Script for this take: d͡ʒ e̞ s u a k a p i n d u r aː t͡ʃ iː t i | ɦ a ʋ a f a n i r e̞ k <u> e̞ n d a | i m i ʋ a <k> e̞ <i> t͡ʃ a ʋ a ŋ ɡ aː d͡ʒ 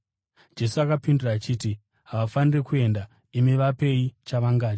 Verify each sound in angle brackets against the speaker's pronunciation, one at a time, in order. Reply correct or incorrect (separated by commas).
correct, incorrect, correct